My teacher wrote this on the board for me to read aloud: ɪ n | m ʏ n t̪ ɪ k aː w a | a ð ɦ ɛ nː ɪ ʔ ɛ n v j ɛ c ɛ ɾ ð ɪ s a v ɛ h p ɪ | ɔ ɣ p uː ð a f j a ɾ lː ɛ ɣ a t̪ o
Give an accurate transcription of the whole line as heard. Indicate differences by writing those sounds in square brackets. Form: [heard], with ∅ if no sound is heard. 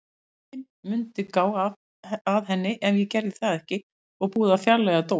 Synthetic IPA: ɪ n | m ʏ n t̪ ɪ k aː w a | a ð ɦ ɛ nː ɪ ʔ ɛ n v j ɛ c ɛ ɾ ð ɪ [θ] a [ð] ɛ h [c] ɪ | ɔ ɣ p uː ð a f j a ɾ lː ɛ ɣ a t̪ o